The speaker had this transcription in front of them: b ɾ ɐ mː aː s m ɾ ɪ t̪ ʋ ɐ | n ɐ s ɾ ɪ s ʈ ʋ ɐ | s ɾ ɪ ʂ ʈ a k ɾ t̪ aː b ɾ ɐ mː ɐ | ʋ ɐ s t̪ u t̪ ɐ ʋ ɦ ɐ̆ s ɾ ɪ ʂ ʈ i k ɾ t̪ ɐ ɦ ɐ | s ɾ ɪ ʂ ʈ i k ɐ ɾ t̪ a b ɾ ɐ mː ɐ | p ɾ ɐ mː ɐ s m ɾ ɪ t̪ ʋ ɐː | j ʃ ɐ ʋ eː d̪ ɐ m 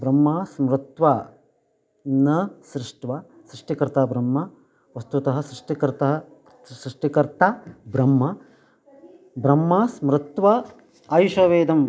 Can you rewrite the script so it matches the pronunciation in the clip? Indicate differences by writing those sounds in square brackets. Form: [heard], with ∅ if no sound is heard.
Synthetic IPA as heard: b ɾ ɐ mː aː s m ɾ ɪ t̪ ʋ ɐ | n ɐ s ɾ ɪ [ʂ] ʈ ʋ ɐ | s ɾ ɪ ʂ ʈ [i] k ɾ t̪ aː b ɾ ɐ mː ɐ | ʋ ɐ s t̪ u t̪ ɐ [∅] ɦ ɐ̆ s ɾ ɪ ʂ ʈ i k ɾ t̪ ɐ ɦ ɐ | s ɾ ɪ ʂ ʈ i k ɐ ɾ t̪ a b ɾ ɐ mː ɐ | [b] ɾ ɐ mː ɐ s m ɾ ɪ t̪ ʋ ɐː | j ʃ ɐ ʋ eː d̪ ɐ m